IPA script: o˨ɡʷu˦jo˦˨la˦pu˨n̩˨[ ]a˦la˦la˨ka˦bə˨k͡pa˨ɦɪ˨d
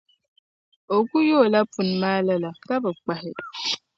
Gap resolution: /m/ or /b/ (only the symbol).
m